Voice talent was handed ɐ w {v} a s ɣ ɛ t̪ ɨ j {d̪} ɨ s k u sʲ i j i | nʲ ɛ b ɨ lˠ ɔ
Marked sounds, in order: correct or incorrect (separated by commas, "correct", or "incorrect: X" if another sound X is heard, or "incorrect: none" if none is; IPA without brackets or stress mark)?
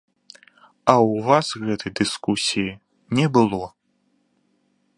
correct, correct